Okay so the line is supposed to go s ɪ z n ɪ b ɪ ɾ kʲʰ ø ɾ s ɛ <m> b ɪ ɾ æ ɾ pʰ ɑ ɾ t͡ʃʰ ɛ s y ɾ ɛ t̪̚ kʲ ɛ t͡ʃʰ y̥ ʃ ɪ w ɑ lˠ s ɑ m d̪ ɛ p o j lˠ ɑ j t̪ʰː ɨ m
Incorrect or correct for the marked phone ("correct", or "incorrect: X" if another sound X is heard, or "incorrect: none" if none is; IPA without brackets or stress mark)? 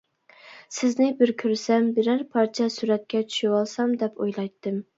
correct